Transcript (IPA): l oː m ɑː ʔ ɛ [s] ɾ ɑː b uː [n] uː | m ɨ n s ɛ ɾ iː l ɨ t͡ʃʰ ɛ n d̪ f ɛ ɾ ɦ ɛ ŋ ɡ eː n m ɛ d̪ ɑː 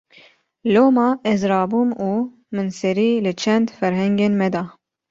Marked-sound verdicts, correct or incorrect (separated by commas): incorrect, incorrect